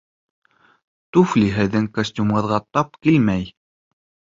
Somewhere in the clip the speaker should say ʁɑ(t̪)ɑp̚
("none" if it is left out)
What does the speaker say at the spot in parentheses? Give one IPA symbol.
t̪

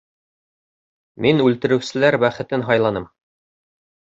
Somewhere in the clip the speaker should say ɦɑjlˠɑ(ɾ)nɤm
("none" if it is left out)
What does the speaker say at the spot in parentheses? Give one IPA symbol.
none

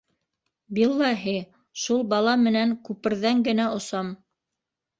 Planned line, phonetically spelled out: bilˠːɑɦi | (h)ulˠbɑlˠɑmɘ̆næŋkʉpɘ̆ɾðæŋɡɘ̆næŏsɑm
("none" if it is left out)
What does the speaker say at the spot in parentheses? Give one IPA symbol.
ʃ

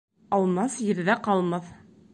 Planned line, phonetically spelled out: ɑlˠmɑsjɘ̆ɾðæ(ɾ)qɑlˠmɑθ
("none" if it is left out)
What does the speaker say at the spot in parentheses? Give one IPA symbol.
none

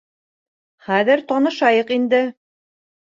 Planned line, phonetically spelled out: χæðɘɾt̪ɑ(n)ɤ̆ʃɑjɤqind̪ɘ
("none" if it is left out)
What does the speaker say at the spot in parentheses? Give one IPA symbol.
n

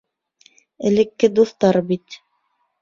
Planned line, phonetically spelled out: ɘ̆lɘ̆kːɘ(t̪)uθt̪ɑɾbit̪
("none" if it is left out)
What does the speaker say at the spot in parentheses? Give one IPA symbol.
d̪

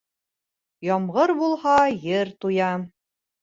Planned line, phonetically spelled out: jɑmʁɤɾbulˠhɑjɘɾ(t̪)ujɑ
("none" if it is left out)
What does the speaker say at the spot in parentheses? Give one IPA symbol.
t̪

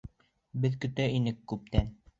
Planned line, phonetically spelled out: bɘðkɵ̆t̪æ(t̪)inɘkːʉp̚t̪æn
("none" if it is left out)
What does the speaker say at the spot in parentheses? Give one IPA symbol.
none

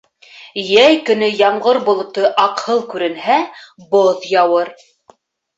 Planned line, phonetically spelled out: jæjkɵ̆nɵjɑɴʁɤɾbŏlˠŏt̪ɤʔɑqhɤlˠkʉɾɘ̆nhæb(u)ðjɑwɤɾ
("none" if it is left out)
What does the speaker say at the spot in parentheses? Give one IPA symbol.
o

